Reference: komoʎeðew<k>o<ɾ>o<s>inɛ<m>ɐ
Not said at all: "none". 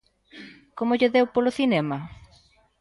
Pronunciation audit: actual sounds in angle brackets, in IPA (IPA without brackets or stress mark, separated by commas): p, l, θ, m